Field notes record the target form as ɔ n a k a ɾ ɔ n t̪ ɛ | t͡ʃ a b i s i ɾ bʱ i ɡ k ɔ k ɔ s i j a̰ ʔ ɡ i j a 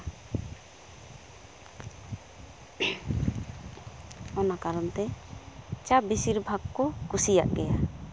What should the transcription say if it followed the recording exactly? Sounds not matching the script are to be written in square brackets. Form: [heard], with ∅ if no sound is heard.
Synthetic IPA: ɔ n a k a ɾ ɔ n t̪ ɛ | t͡ʃ a b i s i ɾ bʱ [a] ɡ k ɔ k [u] s i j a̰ ʔ ɡ [ɛ] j a

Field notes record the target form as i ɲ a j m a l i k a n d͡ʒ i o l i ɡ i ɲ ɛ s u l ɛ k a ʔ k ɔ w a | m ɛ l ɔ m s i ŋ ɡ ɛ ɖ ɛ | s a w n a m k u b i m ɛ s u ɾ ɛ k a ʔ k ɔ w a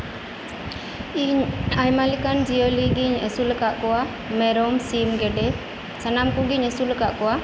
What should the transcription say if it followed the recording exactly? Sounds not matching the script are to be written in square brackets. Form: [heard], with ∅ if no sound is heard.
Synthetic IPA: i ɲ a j m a l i k a n d͡ʒ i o l i ɡ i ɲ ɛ s u l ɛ k a ʔ k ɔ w a | m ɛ [ɾ] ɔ m s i [m] ɡ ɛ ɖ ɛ | s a [∅] n a m k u [ɡ] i [ɲ] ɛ s u [l] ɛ k a ʔ k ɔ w a

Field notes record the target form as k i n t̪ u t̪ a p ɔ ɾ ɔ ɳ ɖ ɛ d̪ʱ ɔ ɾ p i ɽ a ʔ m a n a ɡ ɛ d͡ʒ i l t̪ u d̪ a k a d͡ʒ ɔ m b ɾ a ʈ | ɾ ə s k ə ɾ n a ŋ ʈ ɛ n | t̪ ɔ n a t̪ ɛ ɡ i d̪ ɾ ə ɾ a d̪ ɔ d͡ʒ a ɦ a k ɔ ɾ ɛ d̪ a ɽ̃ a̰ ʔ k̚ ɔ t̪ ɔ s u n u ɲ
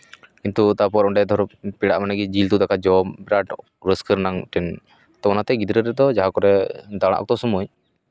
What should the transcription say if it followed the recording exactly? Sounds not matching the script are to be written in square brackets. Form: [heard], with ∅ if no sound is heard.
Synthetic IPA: k i n t̪ u t̪ a p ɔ ɾ ɔ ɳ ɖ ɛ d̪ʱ ɔ ɾ p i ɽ a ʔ m a n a ɡ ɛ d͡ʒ i l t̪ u d̪ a k a d͡ʒ ɔ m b ɾ a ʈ | ɾ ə s k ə ɾ n a ŋ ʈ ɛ n | t̪ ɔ n a t̪ ɛ ɡ i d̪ ɾ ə ɾ [ɛ] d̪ ɔ d͡ʒ a ɦ a k ɔ ɾ ɛ d̪ a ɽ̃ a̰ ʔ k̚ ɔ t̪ ɔ s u [m] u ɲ

